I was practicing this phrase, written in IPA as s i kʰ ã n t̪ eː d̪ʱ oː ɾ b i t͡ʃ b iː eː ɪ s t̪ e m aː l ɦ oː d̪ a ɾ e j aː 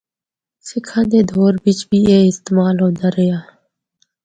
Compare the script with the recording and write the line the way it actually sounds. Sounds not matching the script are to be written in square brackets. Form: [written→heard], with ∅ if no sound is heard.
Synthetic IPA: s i kʰ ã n [t̪→d̪] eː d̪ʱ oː ɾ b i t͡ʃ b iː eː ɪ s t̪ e m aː l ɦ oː d̪ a ɾ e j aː